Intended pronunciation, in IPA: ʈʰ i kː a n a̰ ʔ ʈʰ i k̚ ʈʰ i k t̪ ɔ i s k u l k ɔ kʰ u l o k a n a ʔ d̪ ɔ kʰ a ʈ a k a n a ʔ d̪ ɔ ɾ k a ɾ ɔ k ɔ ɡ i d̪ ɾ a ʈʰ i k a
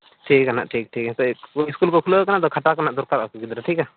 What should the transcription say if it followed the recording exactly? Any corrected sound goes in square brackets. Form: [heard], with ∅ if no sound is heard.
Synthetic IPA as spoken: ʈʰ i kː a n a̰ ʔ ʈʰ i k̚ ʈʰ i k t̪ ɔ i s k u l k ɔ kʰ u l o k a n a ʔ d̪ ɔ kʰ a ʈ a k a n a ʔ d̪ ɔ ɾ k a ɾ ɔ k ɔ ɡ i d̪ ɾ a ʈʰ i k a

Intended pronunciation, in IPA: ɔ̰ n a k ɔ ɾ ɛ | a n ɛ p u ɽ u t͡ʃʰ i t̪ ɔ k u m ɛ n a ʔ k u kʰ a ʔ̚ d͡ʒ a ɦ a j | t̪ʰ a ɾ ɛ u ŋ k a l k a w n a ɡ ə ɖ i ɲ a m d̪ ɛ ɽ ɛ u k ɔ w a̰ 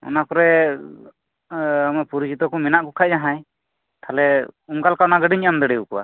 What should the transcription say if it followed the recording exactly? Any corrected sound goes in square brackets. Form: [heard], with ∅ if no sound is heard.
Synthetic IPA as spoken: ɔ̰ n a k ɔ ɾ ɛ | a [m] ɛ p u [ɾ] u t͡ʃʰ i t̪ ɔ k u m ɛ n a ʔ k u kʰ a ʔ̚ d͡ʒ a ɦ a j | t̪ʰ a [l] ɛ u ŋ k a l k a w n a ɡ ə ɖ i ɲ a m d̪ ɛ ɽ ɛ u k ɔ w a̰

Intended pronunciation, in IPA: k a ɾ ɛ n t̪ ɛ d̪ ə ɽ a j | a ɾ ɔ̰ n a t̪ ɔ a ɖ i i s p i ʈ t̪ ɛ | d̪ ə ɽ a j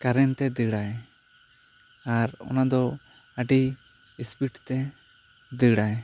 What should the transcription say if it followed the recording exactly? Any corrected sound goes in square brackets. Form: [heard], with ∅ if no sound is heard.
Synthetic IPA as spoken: k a ɾ ɛ n t̪ ɛ d̪ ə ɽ a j | a ɾ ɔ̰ n a [d̪] ɔ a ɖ i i s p i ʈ t̪ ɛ | d̪ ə ɽ a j

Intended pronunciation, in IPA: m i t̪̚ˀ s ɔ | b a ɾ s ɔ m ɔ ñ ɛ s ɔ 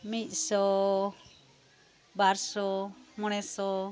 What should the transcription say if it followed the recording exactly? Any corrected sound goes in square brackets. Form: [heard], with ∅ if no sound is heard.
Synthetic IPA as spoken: m i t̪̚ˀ s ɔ | b a ɾ s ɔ m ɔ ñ ɛ s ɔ

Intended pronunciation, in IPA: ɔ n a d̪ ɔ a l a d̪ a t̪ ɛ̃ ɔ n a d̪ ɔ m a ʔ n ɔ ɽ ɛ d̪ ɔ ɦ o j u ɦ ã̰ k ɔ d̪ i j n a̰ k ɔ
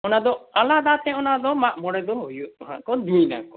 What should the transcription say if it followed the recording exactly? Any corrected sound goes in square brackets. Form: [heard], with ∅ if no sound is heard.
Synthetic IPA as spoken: ɔ n a d̪ ɔ a l a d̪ a t̪ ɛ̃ ɔ n a d̪ ɔ m a ʔ [m] ɔ ɽ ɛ d̪ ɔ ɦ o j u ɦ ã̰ k ɔ d̪ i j n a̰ k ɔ

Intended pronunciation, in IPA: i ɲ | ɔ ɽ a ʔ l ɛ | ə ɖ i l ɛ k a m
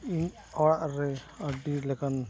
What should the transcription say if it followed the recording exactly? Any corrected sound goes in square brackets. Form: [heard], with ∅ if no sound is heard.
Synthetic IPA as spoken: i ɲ | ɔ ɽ a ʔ [ɾ] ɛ | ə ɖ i l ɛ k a [n]

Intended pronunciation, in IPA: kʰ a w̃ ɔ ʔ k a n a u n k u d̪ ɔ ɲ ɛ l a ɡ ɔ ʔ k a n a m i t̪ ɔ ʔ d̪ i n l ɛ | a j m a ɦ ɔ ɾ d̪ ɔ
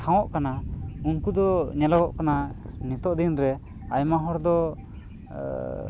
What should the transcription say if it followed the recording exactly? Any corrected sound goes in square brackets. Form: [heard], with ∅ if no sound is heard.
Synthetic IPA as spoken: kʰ a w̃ ɔ ʔ k a n a u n k u d̪ ɔ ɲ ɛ l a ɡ ɔ ʔ k a n a [n] i t̪ ɔ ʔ d̪ i n [ɾ] ɛ | a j m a ɦ ɔ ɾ d̪ ɔ

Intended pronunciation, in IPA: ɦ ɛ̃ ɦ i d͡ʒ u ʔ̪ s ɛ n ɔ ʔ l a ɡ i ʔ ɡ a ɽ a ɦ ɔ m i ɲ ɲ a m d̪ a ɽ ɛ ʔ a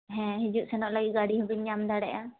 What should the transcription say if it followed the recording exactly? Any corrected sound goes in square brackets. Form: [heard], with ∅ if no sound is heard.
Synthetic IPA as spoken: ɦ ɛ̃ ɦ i d͡ʒ u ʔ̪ s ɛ n ɔ ʔ l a ɡ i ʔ ɡ a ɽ [i] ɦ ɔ [b] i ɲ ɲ a m d̪ a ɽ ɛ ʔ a

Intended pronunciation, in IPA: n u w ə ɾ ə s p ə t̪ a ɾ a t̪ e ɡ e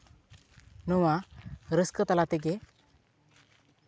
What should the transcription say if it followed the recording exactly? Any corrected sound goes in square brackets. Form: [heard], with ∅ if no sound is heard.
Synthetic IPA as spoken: n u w [a] ɾ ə s [k] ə t̪ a [l] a t̪ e ɡ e

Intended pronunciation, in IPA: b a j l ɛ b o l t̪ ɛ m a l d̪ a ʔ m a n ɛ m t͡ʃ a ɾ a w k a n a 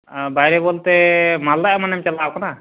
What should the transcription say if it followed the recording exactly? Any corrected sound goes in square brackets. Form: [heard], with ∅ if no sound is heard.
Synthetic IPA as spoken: b a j [ɾ] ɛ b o l t̪ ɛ m a l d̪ a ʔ m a n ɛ m t͡ʃ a [l] a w k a n a

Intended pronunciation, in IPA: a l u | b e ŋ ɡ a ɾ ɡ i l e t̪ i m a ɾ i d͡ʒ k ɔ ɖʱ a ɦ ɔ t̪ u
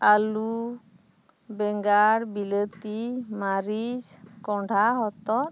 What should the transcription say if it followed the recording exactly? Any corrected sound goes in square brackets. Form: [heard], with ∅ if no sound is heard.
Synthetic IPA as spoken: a l u | b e ŋ ɡ a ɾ [b] i l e t̪ i m a ɾ i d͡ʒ k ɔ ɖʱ a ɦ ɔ t̪ [ɔ]

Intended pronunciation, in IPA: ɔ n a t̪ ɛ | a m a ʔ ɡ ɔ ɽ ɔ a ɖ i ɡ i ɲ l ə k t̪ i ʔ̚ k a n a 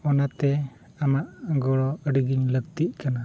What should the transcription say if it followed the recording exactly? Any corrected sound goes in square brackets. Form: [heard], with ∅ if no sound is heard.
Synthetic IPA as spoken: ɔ n a t̪ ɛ | a m a ʔ ɡ ɔ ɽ ɔ [ə] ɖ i ɡ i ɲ l ə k t̪ i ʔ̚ k a n a

